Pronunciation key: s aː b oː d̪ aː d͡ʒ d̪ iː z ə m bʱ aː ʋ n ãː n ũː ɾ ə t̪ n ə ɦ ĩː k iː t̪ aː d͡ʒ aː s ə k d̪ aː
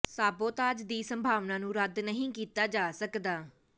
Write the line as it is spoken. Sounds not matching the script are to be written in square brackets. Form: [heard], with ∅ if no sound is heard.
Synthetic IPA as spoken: s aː b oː [t̪] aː d͡ʒ d̪ iː [s] ə m bʱ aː ʋ n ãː n ũː ɾ ə [d̪] n ə ɦ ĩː k iː t̪ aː d͡ʒ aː s ə k d̪ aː